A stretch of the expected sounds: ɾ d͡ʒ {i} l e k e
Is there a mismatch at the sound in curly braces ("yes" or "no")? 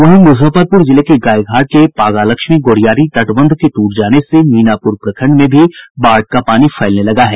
yes